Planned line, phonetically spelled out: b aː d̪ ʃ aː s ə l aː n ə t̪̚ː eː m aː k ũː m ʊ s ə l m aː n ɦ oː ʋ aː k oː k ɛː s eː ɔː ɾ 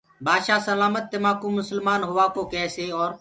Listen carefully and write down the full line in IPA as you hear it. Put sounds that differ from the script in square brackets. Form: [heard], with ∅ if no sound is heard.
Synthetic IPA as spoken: b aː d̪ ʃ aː s ə l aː [m] ə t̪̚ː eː m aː k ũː m ʊ s ə l m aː n ɦ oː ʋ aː k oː k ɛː s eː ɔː ɾ

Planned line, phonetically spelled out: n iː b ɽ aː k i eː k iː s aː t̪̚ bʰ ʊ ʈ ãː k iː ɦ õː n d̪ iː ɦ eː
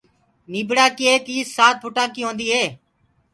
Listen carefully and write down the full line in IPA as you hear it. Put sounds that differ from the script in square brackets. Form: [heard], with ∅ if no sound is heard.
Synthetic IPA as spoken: n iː b ɽ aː k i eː k iː s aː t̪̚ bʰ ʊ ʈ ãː k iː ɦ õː n d̪ iː ɦ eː

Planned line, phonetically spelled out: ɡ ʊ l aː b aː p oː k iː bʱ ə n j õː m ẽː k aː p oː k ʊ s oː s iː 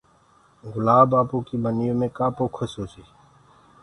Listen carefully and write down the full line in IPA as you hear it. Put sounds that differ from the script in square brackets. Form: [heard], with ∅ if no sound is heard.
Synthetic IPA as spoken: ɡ ʊ l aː b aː p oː k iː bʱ ə n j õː m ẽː k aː p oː [kʰ] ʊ s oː s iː

